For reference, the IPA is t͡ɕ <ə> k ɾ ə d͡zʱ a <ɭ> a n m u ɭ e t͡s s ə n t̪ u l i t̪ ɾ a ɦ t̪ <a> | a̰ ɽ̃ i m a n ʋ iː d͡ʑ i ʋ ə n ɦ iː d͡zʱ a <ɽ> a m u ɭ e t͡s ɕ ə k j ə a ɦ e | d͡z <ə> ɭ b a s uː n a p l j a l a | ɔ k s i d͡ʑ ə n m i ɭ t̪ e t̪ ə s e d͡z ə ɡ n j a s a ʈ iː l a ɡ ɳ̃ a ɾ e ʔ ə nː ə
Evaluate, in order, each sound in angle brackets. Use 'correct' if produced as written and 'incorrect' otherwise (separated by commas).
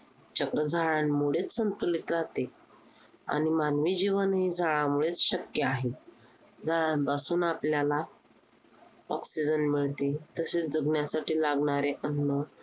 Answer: correct, correct, incorrect, incorrect, incorrect